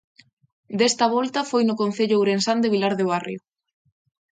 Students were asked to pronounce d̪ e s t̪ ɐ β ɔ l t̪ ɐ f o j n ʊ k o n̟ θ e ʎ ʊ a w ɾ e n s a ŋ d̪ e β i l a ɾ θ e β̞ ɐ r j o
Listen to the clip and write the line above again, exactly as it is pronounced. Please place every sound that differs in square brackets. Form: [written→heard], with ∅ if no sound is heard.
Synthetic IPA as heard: d̪ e s t̪ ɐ β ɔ l t̪ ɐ f o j n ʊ k o n̟ θ e ʎ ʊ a w ɾ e n s a [ŋ→n] d̪ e β i l a ɾ [θ→ð] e β̞ [ɐ→a] r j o